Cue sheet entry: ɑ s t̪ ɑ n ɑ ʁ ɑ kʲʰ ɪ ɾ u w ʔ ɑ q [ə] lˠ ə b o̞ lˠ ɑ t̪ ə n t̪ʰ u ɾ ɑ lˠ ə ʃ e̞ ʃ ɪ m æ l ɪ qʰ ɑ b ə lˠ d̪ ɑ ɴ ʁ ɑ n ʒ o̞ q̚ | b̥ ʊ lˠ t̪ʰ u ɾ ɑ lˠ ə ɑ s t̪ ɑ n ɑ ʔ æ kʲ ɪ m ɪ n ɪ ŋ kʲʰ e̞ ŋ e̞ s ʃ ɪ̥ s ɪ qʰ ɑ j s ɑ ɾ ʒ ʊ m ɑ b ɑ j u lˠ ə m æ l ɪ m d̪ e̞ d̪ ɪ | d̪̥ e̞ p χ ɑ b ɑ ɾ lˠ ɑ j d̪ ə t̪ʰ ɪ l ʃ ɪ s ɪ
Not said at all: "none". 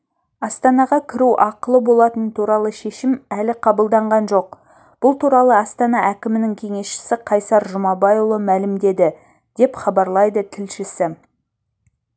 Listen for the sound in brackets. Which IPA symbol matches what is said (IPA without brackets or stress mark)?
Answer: ə